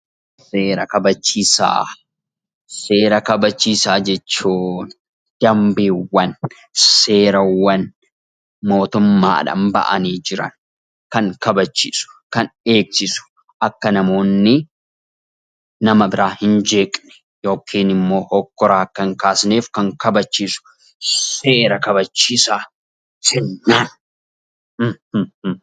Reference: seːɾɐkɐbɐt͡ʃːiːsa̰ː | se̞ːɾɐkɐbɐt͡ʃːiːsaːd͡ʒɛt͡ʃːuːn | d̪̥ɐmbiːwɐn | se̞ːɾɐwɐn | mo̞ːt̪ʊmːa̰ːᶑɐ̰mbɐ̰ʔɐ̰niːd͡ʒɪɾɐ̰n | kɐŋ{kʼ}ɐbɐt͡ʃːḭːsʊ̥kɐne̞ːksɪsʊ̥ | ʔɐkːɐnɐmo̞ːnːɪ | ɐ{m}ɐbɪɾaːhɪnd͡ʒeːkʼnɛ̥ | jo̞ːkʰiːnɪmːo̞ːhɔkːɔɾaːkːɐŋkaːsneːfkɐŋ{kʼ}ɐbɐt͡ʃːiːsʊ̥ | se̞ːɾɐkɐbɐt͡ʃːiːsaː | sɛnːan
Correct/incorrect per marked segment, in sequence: incorrect: k, correct, incorrect: k

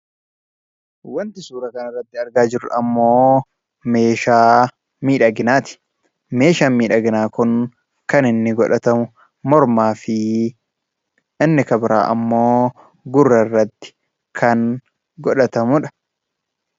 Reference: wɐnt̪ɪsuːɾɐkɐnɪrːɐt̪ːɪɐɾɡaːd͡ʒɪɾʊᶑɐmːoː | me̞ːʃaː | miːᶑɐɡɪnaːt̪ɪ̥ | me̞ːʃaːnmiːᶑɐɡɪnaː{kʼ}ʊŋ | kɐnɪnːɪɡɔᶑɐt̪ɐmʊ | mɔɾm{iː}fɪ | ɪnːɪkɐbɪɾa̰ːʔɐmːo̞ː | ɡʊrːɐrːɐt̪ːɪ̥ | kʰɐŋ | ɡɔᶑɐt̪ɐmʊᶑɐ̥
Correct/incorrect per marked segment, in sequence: incorrect: k, incorrect: aː

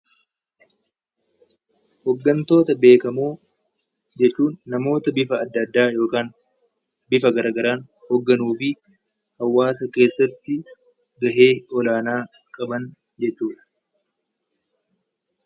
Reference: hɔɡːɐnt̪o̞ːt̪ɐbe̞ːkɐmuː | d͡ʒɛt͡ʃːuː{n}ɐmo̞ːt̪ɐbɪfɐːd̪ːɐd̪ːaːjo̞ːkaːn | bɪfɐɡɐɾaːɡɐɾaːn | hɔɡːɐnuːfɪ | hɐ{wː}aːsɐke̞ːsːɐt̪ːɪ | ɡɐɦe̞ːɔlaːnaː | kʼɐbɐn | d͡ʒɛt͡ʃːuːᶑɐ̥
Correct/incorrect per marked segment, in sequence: incorrect: nː, correct

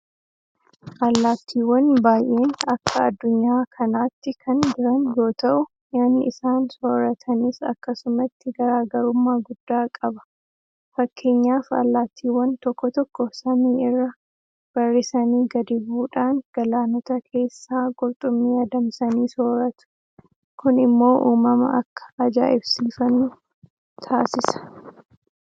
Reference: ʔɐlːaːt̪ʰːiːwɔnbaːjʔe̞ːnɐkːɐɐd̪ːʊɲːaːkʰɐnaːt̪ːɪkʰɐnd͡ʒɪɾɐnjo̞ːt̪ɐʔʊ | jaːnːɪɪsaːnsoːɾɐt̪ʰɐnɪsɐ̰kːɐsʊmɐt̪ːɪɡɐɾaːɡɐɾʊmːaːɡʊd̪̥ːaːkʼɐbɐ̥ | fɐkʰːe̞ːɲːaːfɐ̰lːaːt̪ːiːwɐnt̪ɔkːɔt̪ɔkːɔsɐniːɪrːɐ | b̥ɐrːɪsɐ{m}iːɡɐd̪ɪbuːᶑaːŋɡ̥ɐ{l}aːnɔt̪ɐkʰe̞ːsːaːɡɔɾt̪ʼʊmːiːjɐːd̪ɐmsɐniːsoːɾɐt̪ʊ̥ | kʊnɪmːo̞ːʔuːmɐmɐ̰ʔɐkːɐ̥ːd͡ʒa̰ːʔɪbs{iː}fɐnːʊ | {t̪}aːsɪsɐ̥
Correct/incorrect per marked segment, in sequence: incorrect: n, correct, correct, incorrect: t̪ʰ

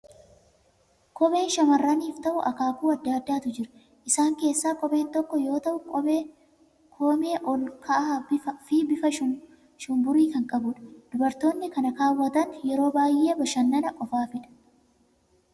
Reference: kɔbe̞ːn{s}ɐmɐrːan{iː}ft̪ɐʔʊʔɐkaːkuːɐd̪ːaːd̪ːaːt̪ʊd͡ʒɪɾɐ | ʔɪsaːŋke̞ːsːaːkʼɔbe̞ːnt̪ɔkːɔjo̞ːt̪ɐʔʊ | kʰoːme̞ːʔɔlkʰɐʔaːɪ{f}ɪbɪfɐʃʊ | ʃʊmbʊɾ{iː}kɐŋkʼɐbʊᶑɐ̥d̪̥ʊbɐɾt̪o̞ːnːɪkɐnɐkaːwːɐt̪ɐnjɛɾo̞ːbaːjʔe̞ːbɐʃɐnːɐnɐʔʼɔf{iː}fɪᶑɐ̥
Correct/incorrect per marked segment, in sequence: incorrect: ʃ, correct, correct, correct, incorrect: aː

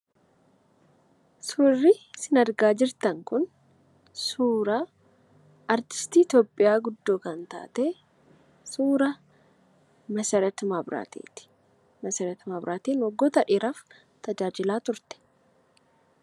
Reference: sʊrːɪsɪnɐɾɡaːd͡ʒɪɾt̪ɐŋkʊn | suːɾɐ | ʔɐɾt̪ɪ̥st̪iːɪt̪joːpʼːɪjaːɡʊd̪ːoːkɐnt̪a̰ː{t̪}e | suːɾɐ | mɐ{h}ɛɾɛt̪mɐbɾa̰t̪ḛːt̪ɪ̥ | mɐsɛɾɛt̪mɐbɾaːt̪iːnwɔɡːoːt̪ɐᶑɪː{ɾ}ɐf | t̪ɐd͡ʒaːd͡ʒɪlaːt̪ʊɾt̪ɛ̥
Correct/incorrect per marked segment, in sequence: correct, incorrect: s, correct

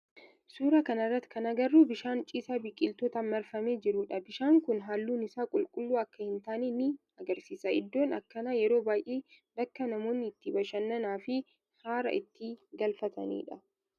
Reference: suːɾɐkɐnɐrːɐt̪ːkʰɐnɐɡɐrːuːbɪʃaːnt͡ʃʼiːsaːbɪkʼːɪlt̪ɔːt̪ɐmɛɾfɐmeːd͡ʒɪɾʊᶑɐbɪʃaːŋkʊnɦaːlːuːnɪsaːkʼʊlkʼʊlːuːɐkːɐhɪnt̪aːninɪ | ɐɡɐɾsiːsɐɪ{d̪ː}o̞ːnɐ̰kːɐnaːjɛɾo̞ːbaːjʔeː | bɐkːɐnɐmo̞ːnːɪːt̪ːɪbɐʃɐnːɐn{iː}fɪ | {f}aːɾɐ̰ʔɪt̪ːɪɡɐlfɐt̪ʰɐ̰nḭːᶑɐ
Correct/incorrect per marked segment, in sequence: correct, incorrect: aː, incorrect: h

